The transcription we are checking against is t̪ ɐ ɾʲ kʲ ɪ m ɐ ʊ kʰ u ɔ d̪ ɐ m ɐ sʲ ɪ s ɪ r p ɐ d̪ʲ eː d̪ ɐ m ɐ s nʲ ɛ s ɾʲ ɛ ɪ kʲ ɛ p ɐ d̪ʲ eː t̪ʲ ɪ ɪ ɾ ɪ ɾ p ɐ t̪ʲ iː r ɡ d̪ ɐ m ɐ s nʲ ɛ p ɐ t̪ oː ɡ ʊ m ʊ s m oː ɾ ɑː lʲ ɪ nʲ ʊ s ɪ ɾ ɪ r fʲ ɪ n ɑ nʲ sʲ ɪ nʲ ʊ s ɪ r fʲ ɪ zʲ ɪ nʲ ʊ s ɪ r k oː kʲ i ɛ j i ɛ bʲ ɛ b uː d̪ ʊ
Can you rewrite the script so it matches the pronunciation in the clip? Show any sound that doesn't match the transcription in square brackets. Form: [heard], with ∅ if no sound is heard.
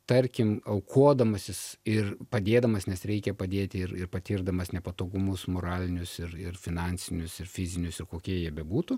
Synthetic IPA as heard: t̪ ɐ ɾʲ kʲ ɪ m ɐ ʊ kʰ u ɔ d̪ ɐ m ɐ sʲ ɪ s ɪ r p ɐ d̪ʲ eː d̪ ɐ m ɐ s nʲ ɛ s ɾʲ ɛ ɪ kʲ ɛ p ɐ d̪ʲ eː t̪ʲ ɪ ɪ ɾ ɪ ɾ p ɐ t̪ʲ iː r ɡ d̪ ɐ m ɐ s nʲ ɛ p ɐ t̪ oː ɡ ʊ m ʊ s m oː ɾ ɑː lʲ ɪ nʲ ʊ s ɪ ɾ ɪ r fʲ ɪ n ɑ nʲ sʲ ɪ nʲ ʊ s ɪ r fʲ ɪ zʲ ɪ nʲ ʊ s ɪ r k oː kʲ i ɛ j i ɛ bʲ ɛ b uː [t̪] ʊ

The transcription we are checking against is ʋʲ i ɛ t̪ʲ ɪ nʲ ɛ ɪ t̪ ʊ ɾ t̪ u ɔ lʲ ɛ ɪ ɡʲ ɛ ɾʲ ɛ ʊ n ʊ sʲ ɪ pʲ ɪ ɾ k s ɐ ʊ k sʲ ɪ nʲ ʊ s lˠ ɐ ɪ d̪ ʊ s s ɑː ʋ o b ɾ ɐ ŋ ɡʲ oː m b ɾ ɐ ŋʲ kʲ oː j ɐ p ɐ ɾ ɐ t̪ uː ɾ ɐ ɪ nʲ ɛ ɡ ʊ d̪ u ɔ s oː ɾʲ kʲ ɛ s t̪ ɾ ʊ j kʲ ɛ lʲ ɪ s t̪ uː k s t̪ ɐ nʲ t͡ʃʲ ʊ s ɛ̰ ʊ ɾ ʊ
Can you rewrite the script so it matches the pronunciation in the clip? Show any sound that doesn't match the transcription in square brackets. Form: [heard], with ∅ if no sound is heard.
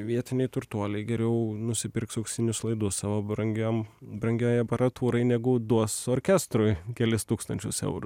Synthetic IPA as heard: ʋʲ i ɛ t̪ʲ ɪ nʲ ɛ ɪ t̪ ʊ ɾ t̪ u ɔ lʲ ɛ ɪ ɡʲ ɛ ɾʲ ɛ ʊ n ʊ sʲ ɪ pʲ ɪ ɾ k s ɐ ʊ k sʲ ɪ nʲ ʊ s lˠ ɐ ɪ d̪ ʊ s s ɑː ʋ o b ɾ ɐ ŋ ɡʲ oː m b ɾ ɐ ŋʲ [ɡʲ] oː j ɐ p ɐ ɾ ɐ t̪ uː ɾ ɐ ɪ nʲ ɛ ɡ ʊ d̪ u ɔ s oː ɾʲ kʲ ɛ s t̪ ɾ ʊ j kʲ ɛ lʲ ɪ s t̪ uː k s t̪ ɐ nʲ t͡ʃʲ ʊ s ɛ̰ ʊ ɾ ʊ

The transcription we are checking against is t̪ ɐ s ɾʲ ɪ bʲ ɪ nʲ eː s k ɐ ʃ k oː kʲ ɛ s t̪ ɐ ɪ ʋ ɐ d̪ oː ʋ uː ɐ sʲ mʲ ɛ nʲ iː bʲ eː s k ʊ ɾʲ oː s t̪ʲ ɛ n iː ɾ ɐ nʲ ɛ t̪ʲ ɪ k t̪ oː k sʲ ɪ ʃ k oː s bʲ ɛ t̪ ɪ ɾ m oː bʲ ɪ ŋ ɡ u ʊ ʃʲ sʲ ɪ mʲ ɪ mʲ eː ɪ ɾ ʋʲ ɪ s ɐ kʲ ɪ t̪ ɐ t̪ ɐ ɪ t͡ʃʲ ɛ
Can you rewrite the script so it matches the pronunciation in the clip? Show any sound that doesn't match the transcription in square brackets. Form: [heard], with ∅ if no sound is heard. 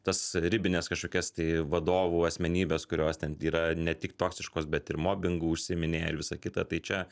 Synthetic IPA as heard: t̪ ɐ s ɾʲ ɪ bʲ ɪ nʲ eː s k ɐ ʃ k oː kʲ ɛ s t̪ ɐ ɪ ʋ ɐ d̪ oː ʋ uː ɐ sʲ mʲ ɛ nʲ iː bʲ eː s k ʊ ɾʲ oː s t̪ʲ ɛ n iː ɾ ɐ nʲ ɛ t̪ʲ ɪ k t̪ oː k sʲ ɪ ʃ k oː s bʲ ɛ t̪ ɪ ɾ m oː bʲ ɪ ŋ ɡ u ʊ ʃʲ sʲ ɪ mʲ ɪ [nʲ] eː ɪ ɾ ʋʲ ɪ s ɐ kʲ ɪ t̪ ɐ t̪ ɐ ɪ t͡ʃʲ ɛ

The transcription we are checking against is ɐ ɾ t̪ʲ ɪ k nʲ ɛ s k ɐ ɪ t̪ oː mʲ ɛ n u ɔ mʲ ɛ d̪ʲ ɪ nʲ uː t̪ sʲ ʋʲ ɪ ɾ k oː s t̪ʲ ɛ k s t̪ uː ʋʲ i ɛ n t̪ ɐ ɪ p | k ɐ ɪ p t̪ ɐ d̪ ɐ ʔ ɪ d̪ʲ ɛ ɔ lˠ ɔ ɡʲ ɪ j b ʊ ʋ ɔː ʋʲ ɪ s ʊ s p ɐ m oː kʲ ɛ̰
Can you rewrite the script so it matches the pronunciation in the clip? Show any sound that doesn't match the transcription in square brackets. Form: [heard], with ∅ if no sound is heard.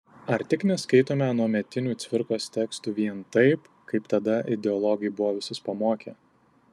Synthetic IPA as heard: ɐ ɾ t̪ʲ ɪ k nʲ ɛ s k ɐ ɪ t̪ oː mʲ ɛ n u ɔ mʲ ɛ [t̪ʲ] ɪ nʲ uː t̪ sʲ ʋʲ ɪ ɾ k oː s t̪ʲ ɛ k s t̪ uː ʋʲ i ɛ n t̪ ɐ ɪ p | k ɐ ɪ p t̪ ɐ d̪ ɐ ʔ ɪ d̪ʲ ɛ ɔ lˠ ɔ ɡʲ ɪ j b ʊ ʋ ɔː ʋʲ ɪ s ʊ s p ɐ m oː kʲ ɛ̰

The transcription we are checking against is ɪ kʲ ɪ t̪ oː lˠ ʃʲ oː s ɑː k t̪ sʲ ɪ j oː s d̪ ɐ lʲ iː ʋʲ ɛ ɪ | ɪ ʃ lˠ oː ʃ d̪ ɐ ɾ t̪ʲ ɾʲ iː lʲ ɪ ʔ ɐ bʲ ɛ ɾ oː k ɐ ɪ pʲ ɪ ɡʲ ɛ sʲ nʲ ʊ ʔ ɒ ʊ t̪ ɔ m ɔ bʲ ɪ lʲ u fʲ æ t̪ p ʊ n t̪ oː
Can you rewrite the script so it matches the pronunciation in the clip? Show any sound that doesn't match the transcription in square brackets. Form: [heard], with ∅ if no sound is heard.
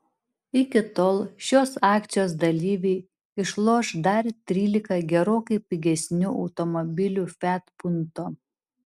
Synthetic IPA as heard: ɪ kʲ ɪ t̪ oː lˠ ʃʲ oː s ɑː k t̪ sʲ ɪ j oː s d̪ ɐ lʲ iː ʋʲ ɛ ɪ | ɪ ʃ lˠ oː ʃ d̪ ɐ ɾ t̪ʲ ɾʲ iː lʲ ɪ [k] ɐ [ɡʲ] ɛ ɾ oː k ɐ ɪ pʲ ɪ ɡʲ ɛ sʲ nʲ ʊ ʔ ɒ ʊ t̪ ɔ m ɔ bʲ ɪ lʲ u fʲ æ t̪ p ʊ n t̪ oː

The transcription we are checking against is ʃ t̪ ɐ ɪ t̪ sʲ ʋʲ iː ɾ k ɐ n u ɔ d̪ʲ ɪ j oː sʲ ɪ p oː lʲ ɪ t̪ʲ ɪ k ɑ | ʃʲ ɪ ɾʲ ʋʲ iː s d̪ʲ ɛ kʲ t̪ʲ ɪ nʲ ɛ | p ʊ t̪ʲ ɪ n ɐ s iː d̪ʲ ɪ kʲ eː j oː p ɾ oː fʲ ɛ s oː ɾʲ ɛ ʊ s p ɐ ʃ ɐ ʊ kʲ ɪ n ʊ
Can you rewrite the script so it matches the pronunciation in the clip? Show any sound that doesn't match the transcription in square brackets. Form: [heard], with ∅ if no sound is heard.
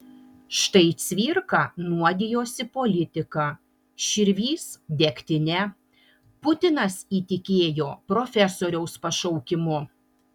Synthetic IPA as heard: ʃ t̪ ɐ ɪ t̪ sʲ ʋʲ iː ɾ k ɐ n u ɔ d̪ʲ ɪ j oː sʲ ɪ p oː lʲ ɪ t̪ʲ ɪ k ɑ | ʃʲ ɪ ɾʲ ʋʲ iː s d̪ʲ ɛ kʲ t̪ʲ ɪ nʲ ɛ | p ʊ t̪ʲ ɪ n ɐ s iː [t̪ʲ] ɪ kʲ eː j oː p ɾ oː fʲ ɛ s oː ɾʲ ɛ ʊ s p ɐ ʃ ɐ ʊ kʲ ɪ [m] ʊ

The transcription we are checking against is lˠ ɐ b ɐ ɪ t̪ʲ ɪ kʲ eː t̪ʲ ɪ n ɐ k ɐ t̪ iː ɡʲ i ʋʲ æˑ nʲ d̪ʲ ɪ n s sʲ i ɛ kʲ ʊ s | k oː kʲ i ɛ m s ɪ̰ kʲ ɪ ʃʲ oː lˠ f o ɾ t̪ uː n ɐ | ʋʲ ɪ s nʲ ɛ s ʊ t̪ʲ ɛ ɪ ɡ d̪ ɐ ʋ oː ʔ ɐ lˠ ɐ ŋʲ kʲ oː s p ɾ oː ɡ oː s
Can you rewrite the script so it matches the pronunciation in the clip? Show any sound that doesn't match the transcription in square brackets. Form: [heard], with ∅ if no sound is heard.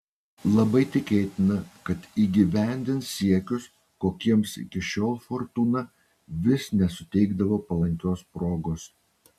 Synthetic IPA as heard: lˠ ɐ b ɐ ɪ t̪ʲ ɪ kʲ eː t̪ʲ ɪ n ɐ k ɐ t̪ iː ɡʲ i ʋʲ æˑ nʲ d̪ʲ ɪ n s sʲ i ɛ kʲ ʊ s | k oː kʲ i ɛ m s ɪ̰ kʲ ɪ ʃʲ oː lˠ f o ɾ t̪ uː n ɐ | ʋʲ ɪ s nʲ ɛ s ʊ t̪ʲ ɛ ɪ ɡ d̪ ɐ ʋ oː [p] ɐ lˠ ɐ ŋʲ kʲ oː s p ɾ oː ɡ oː s

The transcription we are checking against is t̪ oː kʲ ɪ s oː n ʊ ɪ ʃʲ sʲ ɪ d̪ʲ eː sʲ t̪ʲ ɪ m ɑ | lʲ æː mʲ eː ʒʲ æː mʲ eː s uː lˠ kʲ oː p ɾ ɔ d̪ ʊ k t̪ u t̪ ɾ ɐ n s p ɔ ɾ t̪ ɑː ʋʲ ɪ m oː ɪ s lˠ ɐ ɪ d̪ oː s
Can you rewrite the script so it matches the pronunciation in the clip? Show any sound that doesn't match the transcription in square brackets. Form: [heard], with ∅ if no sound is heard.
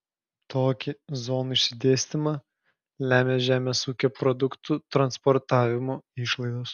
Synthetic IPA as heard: t̪ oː kʲ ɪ [z] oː n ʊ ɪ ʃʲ sʲ ɪ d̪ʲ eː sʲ t̪ʲ ɪ m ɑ | lʲ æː mʲ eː ʒʲ æː mʲ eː s uː [∅] kʲ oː p ɾ ɔ d̪ ʊ k t̪ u t̪ ɾ ɐ n s p ɔ ɾ t̪ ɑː ʋʲ ɪ m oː ɪ [ʃ] lˠ ɐ ɪ d̪ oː s

